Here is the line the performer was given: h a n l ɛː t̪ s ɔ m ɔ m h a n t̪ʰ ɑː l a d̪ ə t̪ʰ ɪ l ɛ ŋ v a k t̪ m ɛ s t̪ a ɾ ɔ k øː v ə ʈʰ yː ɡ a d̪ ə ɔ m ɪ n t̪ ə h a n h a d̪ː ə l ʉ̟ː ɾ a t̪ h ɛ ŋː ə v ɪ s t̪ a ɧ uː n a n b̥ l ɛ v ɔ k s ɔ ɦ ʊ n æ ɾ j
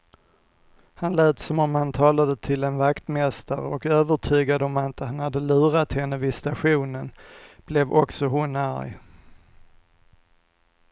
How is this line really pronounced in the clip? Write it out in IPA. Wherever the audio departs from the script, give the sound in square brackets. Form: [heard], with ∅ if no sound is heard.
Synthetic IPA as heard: h a n l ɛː t̪ s ɔ m ɔ m h a n t̪ʰ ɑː l a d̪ ə t̪ʰ ɪ l ɛ [n] v a k t̪ m ɛ s t̪ a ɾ ɔ k øː v ə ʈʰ yː ɡ a d̪ ə ɔ m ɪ n t̪ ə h a n h a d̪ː ə l ʉ̟ː ɾ a t̪ h ɛ [nː] ə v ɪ s t̪ a ɧ uː n [ə] n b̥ l ɛ v ɔ k s ɔ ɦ ʊ n æ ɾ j

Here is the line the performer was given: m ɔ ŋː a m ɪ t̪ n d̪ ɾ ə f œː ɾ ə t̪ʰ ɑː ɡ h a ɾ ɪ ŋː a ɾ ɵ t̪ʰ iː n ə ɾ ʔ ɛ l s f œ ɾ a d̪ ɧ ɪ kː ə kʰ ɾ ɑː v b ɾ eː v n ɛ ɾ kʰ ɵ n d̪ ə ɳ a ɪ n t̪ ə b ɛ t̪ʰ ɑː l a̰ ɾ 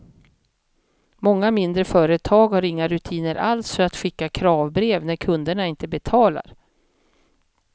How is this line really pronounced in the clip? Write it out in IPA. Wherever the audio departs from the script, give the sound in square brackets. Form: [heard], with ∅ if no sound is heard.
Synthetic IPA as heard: m ɔ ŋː a m ɪ [∅] n d̪ ɾ ə f œː ɾ ə t̪ʰ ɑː ɡ h a ɾ ɪ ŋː a ɾ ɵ t̪ʰ iː n ə ɾ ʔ [a] l s f œ ɾ a [t̪] ɧ ɪ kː [a] kʰ ɾ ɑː v b ɾ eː v n [æ] ɾ kʰ ɵ n d̪ ə ɳ a ɪ n t̪ ə b ɛ t̪ʰ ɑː l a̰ ɾ

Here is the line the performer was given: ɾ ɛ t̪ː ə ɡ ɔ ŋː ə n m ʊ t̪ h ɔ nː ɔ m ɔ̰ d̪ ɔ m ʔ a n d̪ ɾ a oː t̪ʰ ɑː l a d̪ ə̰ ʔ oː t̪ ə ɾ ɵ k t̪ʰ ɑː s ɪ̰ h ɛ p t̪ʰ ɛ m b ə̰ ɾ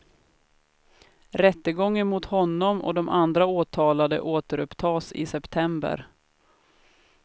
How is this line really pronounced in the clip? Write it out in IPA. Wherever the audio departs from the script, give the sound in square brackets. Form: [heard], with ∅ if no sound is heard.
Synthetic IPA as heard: ɾ ɛ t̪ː ə ɡ ɔ ŋː ə n m ʊ t̪ h ɔ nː ɔ m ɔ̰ d̪ ɔ m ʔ a n d̪ ɾ a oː t̪ʰ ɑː l a d̪ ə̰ ʔ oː t̪ ə ɾ ɵ [p] t̪ʰ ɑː s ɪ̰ [s] ɛ p t̪ʰ ɛ m b ə̰ ɾ

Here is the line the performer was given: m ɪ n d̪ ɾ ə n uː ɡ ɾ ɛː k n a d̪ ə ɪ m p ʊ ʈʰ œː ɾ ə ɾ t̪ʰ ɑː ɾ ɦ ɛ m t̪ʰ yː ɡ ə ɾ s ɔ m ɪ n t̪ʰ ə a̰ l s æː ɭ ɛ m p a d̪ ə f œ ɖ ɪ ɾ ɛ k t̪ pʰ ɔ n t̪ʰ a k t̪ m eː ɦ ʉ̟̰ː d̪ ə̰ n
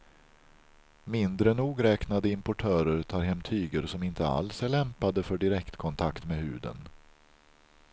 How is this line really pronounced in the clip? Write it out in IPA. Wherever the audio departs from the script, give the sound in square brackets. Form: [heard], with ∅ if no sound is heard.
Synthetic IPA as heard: m ɪ n d̪ ɾ ə n uː ɡ ɾ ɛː k n a d̪ ə ɪ m p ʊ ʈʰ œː ɾ ə ɾ t̪ʰ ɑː ɾ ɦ ɛ m t̪ʰ yː ɡ ə ɾ s ɔ m ɪ n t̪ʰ ə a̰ l s [æ] ɭ ɛ m p a d̪ ə f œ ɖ ɪ ɾ ɛ k t̪ [kʰ] ɔ n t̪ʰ a k t̪ m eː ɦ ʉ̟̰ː d̪ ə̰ n

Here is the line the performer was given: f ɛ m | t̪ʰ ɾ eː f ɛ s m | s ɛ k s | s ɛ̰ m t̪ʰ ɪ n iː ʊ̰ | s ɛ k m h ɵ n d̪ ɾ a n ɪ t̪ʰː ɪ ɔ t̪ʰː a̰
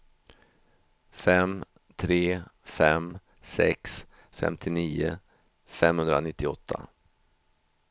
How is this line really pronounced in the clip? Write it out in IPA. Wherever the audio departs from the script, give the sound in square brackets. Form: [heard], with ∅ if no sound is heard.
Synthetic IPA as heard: f ɛ m | t̪ʰ ɾ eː f ɛ [∅] m | s ɛ k s | [f] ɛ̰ m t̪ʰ ɪ n iː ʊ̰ | [f] ɛ [∅] m h ɵ n d̪ ɾ a n ɪ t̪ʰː ɪ ɔ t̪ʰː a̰

